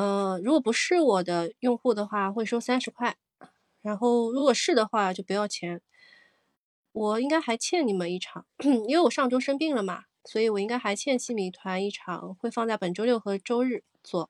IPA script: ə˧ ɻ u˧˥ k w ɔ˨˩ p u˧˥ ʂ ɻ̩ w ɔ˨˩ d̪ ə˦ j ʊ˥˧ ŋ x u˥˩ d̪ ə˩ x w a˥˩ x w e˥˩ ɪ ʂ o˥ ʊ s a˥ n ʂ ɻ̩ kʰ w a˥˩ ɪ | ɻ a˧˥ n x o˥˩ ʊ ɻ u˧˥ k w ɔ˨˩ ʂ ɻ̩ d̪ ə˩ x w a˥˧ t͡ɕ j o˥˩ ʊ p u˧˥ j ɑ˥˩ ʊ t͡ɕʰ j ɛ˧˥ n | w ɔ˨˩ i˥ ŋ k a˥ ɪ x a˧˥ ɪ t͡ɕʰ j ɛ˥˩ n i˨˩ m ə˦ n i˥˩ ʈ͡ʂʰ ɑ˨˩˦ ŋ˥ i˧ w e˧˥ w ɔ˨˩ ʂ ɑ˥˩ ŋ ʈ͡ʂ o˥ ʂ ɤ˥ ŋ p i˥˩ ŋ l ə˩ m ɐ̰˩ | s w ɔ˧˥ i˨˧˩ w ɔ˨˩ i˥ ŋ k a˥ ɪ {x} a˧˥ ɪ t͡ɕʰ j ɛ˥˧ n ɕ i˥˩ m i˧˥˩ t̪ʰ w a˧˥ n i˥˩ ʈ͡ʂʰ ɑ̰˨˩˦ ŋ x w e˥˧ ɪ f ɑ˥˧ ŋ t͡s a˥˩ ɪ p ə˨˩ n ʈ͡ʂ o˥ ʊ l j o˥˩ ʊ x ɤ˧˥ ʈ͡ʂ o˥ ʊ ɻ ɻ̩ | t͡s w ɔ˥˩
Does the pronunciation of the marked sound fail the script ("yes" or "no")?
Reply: no